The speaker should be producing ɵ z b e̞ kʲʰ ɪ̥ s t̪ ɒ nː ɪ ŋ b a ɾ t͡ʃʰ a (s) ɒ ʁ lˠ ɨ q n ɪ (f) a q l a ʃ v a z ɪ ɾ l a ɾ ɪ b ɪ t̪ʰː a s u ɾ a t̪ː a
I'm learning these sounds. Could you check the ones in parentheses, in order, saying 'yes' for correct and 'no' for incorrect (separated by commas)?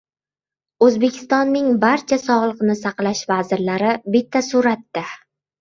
yes, no